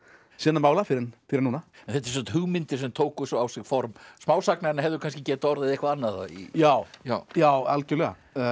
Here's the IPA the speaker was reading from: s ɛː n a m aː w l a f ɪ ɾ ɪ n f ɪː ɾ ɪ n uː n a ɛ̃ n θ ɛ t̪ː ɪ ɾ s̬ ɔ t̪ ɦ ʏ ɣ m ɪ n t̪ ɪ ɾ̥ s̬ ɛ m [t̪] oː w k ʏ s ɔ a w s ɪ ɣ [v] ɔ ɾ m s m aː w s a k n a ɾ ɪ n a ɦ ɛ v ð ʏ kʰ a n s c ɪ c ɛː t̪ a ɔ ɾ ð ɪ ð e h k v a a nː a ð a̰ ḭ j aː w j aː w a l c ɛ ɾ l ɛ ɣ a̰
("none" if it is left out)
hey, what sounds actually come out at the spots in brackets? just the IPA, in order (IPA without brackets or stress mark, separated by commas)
t̪ʰ, f